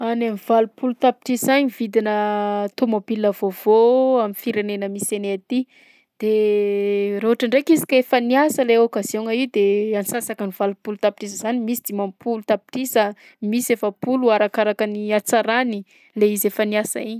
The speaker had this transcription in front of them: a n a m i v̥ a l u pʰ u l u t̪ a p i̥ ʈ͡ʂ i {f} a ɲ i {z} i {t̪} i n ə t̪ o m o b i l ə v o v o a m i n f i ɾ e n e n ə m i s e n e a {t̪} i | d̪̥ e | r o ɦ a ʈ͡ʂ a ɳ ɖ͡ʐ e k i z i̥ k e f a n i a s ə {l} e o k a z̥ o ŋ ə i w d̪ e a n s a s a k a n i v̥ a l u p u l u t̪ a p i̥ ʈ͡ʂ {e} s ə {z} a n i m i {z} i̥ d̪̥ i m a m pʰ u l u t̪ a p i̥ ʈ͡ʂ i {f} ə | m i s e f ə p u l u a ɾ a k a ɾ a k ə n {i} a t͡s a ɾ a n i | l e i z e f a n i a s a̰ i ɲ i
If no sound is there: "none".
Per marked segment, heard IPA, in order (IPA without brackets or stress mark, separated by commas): s, v, d̪, t̪, l, i, z, s, s, i